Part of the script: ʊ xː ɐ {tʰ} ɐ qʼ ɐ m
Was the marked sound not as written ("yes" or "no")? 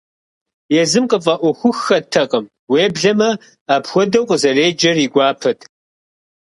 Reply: no